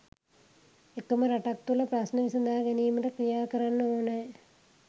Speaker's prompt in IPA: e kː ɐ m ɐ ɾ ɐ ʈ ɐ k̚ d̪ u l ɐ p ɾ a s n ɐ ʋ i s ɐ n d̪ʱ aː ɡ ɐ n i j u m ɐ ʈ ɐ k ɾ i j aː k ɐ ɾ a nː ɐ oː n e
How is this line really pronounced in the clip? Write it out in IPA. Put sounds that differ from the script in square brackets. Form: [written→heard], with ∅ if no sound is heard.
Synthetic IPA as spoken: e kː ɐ m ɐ ɾ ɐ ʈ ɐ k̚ [d̪→t̪] u l ɐ p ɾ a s n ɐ ʋ i s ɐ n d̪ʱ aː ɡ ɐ n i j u m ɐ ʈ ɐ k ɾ i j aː k ɐ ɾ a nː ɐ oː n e